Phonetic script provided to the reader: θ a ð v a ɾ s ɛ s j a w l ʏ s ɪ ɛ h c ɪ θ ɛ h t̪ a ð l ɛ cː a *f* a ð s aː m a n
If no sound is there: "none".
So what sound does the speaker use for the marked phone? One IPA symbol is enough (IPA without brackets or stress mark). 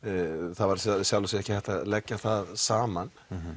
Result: θ